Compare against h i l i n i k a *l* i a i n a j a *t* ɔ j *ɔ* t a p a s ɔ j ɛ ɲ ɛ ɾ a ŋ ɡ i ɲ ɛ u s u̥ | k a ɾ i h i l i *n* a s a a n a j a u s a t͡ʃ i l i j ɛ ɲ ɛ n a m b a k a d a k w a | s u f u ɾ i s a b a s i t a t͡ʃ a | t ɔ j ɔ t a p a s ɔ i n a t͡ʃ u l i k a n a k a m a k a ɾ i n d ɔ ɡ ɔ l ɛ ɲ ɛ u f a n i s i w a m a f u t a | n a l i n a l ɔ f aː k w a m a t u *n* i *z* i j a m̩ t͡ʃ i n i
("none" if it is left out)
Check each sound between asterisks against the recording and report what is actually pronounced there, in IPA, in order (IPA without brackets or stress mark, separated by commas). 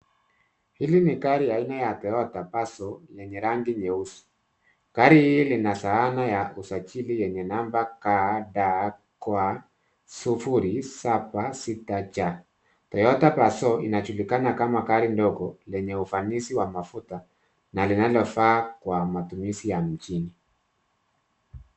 ɾ, t, ɔ, n, m, s